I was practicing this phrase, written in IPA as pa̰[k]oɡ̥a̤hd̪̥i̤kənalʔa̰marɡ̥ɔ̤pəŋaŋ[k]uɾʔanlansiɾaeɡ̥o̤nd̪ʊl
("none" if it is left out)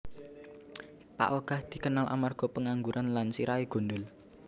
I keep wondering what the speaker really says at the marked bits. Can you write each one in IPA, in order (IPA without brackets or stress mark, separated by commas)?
ʔ, ɡ